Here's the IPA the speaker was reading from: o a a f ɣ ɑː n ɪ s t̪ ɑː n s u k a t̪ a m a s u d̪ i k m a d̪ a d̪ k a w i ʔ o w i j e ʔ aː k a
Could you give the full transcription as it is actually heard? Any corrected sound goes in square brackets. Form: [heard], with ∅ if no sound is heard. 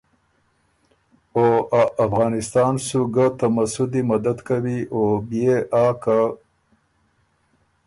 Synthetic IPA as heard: o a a f ɣ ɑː n ɪ s t̪ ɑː n s u [ɡ] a t̪ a m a s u d̪ i [∅] m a d̪ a d̪ k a w i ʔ o [b] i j e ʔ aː k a

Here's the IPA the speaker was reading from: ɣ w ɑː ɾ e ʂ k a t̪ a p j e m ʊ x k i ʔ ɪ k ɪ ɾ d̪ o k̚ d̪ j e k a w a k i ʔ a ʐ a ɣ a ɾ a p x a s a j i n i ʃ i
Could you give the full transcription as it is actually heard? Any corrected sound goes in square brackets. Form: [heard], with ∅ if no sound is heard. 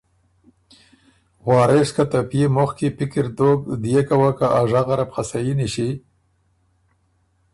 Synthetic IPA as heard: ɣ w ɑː ɾ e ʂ k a t̪ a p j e m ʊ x k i [p] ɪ k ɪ ɾ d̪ o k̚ d̪ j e k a w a k [a] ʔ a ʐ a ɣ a ɾ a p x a s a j i n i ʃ i

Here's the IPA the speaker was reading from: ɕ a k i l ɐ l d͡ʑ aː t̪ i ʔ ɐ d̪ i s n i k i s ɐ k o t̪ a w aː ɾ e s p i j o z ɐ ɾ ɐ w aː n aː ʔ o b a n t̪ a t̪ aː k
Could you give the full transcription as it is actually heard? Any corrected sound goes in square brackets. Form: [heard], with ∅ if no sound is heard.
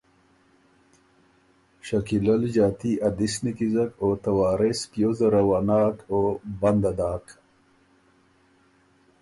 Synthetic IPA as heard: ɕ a k i l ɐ l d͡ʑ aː t̪ i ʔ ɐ d̪ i s n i k i [z] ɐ k o t̪ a w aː ɾ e s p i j o z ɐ ɾ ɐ w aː n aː [k] o b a n [d̪] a [d̪] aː k

